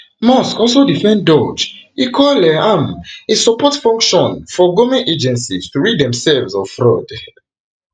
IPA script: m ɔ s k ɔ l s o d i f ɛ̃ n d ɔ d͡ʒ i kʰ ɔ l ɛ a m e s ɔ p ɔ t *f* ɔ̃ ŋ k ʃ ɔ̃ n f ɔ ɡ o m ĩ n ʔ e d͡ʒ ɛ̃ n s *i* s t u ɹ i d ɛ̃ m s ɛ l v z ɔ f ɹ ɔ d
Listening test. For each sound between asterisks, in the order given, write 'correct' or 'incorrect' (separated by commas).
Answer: correct, correct